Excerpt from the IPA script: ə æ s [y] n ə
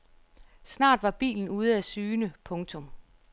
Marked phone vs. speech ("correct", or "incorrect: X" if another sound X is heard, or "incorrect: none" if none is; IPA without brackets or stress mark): incorrect: yː